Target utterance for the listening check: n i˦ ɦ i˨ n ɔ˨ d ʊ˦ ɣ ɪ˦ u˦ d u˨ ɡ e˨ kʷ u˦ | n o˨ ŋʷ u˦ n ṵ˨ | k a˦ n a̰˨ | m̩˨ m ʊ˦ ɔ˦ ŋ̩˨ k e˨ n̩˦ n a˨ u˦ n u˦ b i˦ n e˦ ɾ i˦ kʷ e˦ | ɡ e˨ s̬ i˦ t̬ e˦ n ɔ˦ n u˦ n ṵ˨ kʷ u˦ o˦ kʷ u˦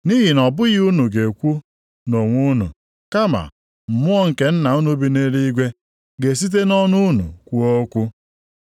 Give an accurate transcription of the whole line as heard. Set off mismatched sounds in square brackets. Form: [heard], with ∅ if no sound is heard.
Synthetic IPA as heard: n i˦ ɦ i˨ n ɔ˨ [b] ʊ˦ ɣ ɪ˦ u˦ [n] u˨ ɡ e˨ kʷ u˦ | n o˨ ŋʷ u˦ n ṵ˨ | k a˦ [m] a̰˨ | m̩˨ m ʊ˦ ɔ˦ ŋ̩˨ k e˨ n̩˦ n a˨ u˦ n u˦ b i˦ n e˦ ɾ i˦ [ɡʷ] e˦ | ɡ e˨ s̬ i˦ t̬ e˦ n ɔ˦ n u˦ n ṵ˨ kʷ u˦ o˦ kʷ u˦